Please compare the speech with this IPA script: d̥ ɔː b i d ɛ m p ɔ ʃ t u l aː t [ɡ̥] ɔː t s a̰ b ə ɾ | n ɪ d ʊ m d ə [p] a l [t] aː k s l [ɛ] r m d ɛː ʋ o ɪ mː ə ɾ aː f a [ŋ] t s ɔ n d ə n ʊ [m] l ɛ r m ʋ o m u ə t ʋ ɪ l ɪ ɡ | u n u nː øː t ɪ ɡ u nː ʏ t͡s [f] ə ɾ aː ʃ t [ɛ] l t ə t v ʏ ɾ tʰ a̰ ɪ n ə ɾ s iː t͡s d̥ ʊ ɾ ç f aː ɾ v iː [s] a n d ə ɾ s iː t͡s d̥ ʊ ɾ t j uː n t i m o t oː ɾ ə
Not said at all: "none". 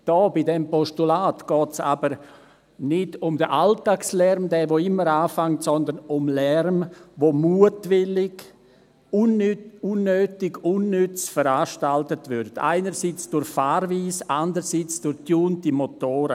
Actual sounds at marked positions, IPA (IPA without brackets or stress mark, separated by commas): ɡ̥, ʔ, t, ɛ, ŋ, m, f, a, s